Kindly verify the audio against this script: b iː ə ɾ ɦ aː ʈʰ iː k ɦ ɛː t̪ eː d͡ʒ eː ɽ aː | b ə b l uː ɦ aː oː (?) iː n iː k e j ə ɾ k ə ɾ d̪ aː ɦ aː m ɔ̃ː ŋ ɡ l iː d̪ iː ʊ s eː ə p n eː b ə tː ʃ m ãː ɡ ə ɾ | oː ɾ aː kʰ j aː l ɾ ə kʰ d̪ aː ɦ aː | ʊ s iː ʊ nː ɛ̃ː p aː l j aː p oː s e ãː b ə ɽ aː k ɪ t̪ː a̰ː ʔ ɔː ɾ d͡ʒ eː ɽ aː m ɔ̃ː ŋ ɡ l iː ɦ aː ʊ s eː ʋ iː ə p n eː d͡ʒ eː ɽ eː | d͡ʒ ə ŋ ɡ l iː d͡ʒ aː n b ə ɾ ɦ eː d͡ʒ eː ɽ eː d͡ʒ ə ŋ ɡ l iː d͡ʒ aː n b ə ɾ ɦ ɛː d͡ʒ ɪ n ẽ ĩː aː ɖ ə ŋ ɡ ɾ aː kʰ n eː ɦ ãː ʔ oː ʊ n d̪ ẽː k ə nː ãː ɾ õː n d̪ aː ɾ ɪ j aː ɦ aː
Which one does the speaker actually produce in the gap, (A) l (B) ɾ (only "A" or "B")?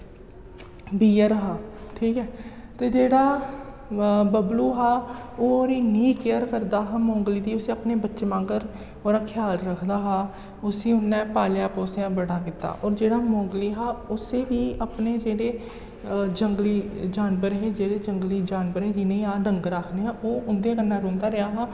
B